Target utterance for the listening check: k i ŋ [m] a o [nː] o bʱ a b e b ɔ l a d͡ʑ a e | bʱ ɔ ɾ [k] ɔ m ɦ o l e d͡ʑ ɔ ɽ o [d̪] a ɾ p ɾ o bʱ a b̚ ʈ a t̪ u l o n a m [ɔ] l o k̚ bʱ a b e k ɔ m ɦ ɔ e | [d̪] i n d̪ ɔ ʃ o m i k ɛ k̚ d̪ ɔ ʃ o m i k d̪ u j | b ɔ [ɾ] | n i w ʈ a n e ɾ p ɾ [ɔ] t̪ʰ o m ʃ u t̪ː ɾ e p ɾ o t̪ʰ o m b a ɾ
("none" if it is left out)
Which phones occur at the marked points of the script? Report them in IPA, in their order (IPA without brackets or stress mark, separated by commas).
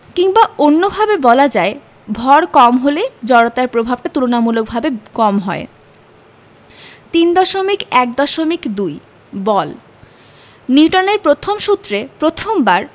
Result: b, nː, k, t̪, u, t̪, l, o